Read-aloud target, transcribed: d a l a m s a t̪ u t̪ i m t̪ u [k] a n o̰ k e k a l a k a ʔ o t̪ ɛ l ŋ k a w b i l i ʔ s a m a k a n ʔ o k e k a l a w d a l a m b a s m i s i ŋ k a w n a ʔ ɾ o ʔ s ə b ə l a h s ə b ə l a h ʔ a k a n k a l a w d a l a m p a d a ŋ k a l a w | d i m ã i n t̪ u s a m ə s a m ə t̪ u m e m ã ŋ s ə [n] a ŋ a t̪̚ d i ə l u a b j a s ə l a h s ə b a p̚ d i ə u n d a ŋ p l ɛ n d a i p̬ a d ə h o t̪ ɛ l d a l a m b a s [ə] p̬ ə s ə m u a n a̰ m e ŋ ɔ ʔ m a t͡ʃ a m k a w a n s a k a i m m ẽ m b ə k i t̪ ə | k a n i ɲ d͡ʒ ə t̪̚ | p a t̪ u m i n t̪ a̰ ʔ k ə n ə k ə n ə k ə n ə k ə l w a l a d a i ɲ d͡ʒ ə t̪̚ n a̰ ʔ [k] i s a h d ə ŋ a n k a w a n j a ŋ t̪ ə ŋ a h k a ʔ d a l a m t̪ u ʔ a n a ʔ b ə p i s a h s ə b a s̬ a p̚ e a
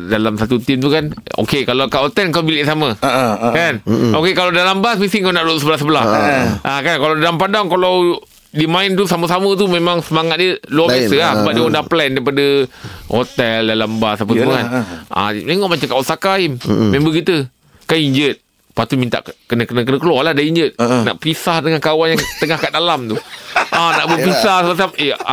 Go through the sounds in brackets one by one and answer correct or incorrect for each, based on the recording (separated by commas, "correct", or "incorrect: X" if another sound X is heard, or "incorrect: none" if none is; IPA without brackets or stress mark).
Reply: correct, incorrect: m, incorrect: a, incorrect: p